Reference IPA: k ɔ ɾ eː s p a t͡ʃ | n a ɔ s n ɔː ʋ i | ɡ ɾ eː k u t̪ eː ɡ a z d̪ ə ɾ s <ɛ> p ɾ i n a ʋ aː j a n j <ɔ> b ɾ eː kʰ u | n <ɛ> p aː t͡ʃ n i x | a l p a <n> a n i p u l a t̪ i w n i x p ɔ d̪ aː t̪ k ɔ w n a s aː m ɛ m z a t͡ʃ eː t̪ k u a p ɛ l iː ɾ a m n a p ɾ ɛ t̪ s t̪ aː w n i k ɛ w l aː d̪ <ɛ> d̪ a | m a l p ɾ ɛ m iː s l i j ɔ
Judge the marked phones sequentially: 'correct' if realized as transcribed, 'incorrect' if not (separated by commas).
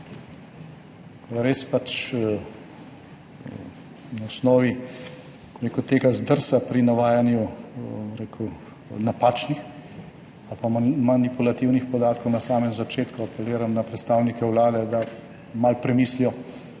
incorrect, incorrect, incorrect, incorrect, correct